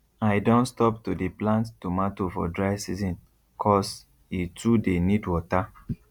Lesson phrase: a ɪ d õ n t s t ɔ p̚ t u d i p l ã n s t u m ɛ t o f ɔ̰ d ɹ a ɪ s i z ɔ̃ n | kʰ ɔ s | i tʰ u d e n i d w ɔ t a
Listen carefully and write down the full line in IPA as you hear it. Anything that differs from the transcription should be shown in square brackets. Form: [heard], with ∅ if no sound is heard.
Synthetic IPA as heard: a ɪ d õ n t s t ɔ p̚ t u d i p l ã n [t] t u m [a] t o f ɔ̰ d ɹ a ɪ s i z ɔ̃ n | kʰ ɔ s | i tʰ u d e n i d w ɔ t a